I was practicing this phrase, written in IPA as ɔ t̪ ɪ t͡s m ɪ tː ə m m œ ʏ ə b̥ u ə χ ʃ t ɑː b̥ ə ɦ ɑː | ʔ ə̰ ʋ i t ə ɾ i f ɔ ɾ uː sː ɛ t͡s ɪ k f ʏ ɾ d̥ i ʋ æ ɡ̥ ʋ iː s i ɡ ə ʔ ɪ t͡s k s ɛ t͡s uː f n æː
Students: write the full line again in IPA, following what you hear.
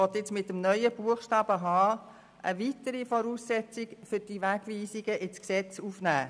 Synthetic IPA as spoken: ɔ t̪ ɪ t͡s m ɪ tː ə m n œ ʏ ə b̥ u ə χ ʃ t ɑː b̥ ə ɦ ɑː | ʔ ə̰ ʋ i t ə ɾ i f ɔ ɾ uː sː ɛ t͡s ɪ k f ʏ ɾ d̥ i ʋ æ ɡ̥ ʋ iː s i ɡ ə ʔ ɪ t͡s k s ɛ t͡s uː f n æː